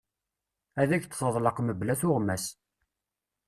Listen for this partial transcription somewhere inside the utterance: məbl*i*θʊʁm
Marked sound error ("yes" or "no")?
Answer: yes